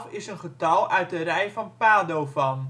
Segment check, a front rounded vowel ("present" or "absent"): present